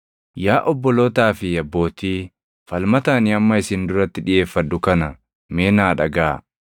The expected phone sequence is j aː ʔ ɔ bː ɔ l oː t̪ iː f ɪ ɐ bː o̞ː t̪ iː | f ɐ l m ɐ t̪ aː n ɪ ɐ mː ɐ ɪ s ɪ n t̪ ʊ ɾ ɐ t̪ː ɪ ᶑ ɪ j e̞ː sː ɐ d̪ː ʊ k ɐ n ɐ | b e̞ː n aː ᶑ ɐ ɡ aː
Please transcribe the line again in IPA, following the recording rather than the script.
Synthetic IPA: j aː ʔ ɔ bː ɔ l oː t̪ aː f ɪ ɐ bː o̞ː t̪ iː | f ɐ l m ɐ t̪ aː n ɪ ɐ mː ɐ ɪ s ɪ n d̪ ʊ ɾ ɐ t̪ː ɪ ᶑ ɪ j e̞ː fː ɐ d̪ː ʊ k ɐ n ɐ | m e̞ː n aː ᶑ ɐ ɡ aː